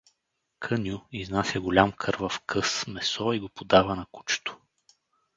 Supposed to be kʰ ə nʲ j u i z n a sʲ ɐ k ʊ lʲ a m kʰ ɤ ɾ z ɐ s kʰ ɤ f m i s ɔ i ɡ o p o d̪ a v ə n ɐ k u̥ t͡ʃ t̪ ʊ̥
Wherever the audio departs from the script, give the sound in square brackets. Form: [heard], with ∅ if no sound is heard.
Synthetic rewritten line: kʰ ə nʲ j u i z n a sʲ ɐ [ɡ] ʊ lʲ a m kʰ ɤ ɾ [v] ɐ [f] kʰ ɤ [s] m [ɛ] s ɔ i ɡ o p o d̪ a v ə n ɐ k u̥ t͡ʃ t̪ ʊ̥